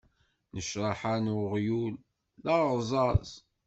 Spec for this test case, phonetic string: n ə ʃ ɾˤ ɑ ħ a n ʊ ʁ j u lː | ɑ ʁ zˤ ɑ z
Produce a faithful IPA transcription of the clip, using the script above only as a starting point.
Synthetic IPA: n ə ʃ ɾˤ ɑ ħ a n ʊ ʁ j u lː | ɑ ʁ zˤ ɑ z